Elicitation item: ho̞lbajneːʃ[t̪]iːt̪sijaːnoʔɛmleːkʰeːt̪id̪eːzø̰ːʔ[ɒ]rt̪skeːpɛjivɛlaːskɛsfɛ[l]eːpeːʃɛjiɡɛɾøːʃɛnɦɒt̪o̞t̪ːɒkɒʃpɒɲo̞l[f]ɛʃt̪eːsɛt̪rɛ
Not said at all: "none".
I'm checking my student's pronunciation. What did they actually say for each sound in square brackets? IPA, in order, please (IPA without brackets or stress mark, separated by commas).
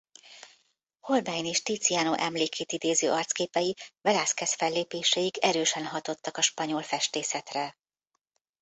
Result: t̪, ɒ, lː, f